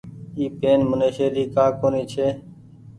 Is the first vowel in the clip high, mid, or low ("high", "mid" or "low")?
high